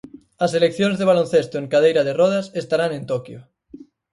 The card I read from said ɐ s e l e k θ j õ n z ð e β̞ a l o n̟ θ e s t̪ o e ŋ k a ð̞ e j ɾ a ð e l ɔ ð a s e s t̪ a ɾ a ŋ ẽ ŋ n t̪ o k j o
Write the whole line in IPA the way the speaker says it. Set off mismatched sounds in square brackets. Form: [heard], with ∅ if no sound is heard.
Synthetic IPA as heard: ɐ s e l e k θ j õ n z ð e β̞ a l o n̟ θ e s t̪ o e ŋ k a ð̞ e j ɾ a ð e [r] ɔ ð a s e s t̪ a ɾ a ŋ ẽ [∅] n t̪ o k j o